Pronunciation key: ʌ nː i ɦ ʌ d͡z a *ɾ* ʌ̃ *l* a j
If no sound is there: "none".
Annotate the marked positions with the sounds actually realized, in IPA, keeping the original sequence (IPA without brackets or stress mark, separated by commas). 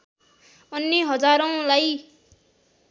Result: ɾ, l